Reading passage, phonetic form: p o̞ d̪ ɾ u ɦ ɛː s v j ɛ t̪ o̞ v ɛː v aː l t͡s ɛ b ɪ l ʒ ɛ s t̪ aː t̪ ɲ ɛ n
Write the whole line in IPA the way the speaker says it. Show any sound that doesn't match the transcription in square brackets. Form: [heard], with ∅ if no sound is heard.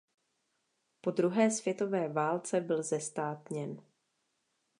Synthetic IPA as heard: p o̞ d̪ ɾ u ɦ ɛː s v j ɛ t̪ o̞ v ɛː v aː l t͡s ɛ b ɪ l [z] ɛ s t̪ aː t̪ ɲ ɛ n